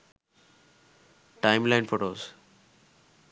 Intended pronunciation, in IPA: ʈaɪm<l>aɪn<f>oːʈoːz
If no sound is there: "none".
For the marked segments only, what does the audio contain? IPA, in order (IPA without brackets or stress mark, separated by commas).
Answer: l, f